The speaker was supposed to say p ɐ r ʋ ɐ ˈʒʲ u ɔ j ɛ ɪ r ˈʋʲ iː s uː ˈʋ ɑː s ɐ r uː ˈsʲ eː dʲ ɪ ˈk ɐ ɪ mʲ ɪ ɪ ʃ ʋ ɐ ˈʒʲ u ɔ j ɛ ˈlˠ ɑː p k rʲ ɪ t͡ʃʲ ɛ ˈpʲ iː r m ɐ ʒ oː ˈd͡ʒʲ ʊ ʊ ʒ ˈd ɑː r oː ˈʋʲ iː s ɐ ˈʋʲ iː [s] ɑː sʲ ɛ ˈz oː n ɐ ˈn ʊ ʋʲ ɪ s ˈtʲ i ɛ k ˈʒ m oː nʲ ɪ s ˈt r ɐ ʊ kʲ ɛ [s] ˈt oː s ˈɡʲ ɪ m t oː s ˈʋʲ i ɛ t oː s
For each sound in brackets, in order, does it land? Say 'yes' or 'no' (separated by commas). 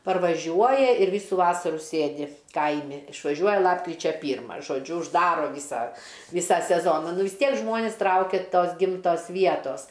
yes, no